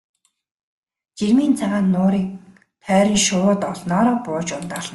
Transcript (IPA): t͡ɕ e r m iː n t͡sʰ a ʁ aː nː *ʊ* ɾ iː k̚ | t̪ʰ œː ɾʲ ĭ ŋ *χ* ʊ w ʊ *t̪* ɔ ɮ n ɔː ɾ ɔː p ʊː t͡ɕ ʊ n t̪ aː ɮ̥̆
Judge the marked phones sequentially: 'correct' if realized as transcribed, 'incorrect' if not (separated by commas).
incorrect, incorrect, correct